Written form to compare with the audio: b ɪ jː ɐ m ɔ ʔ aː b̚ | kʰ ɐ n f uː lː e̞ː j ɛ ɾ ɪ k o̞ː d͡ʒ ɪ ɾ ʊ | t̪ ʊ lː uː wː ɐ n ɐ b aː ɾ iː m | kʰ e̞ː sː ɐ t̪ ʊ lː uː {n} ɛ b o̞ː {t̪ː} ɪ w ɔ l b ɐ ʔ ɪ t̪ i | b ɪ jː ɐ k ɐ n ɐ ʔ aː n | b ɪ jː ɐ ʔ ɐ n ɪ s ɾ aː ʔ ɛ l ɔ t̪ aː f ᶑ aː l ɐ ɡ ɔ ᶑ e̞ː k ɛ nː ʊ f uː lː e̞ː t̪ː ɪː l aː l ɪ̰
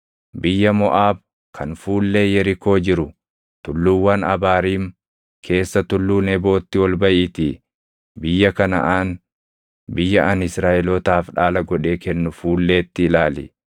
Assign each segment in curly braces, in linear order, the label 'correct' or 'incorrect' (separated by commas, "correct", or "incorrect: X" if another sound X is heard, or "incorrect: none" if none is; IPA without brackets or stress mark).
correct, correct